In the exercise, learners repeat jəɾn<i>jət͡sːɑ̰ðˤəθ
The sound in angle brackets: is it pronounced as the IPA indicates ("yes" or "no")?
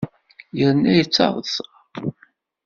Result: no